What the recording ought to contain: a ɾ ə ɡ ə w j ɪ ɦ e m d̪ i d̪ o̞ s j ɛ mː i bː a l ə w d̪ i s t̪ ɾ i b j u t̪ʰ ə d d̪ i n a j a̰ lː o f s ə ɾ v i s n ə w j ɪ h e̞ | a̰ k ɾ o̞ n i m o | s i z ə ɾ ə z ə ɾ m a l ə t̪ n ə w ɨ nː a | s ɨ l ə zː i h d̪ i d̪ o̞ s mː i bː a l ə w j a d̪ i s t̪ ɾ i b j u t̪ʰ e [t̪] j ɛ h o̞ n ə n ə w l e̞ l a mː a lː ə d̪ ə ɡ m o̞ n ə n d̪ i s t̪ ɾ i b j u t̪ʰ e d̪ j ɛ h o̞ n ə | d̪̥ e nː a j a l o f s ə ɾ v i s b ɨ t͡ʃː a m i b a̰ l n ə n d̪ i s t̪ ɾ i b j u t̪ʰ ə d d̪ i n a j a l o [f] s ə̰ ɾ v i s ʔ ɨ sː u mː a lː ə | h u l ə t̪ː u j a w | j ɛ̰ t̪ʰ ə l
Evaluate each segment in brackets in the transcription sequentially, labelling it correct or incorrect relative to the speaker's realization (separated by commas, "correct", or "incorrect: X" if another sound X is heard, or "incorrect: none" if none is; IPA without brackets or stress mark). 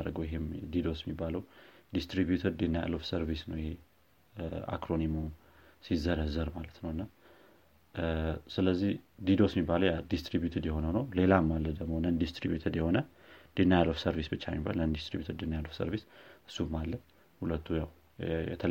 incorrect: d̪, correct